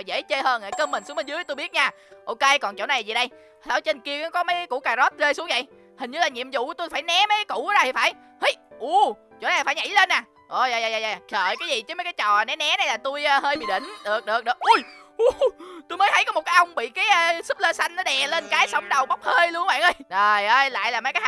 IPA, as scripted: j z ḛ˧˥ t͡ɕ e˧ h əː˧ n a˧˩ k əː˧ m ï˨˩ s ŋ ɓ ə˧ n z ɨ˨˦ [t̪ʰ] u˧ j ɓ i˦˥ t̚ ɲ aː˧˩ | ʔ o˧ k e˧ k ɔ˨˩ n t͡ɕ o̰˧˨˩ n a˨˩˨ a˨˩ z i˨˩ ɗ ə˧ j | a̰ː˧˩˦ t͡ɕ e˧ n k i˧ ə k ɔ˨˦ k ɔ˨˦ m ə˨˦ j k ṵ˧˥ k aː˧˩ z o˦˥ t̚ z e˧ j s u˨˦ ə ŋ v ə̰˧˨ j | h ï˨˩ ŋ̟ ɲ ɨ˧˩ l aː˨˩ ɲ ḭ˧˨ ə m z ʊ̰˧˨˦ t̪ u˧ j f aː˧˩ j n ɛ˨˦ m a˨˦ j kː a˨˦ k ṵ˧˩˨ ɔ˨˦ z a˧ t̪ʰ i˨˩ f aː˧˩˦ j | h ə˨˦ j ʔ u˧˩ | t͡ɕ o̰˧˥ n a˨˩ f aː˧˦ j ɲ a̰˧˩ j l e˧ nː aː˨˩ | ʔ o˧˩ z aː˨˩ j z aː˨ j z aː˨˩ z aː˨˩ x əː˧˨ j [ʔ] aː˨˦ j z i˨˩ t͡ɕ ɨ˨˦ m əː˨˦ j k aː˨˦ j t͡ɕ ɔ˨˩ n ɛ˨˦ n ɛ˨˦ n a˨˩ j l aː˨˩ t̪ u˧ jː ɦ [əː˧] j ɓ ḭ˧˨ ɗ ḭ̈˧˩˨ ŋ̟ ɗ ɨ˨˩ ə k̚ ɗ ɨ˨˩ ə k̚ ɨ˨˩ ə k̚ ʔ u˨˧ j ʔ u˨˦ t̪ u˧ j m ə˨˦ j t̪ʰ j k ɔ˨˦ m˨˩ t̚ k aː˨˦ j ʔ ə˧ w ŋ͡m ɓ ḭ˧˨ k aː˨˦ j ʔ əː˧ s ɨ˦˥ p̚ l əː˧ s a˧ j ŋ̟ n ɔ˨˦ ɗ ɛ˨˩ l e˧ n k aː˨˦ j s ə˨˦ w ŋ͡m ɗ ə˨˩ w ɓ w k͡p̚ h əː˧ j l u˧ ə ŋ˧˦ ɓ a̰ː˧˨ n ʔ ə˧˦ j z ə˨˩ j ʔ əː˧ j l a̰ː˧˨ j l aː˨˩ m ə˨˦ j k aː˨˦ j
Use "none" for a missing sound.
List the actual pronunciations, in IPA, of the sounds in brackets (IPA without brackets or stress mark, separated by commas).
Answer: t̪, k, əː˧